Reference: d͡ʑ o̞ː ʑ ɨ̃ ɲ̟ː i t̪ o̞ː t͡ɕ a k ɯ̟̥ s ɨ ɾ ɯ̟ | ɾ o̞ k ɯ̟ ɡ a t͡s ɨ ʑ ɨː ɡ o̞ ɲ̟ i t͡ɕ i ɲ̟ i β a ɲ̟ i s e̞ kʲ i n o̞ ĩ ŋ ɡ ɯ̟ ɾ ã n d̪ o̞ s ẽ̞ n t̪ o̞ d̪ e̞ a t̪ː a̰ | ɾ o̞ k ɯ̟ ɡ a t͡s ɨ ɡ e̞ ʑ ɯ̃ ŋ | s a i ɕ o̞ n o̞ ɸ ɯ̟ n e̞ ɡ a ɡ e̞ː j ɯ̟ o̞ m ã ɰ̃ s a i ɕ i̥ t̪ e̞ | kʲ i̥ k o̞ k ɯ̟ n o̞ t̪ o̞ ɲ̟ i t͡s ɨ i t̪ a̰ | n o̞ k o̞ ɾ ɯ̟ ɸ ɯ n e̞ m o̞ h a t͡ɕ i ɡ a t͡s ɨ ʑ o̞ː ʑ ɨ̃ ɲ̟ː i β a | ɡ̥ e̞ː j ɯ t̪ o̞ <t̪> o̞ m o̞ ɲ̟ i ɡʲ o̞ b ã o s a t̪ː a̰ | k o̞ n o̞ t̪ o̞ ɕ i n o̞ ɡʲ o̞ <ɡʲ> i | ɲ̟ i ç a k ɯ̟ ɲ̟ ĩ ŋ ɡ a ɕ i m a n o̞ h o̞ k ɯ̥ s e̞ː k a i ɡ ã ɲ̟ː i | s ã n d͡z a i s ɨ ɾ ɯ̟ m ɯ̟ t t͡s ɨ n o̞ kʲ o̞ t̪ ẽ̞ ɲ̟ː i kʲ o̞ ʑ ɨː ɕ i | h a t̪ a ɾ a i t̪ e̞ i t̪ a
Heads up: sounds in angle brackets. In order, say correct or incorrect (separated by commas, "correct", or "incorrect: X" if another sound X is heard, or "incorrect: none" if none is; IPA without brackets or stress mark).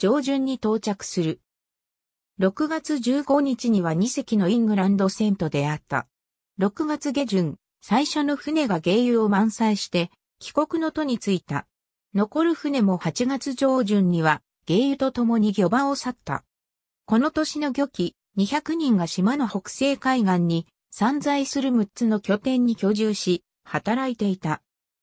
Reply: correct, incorrect: kʲ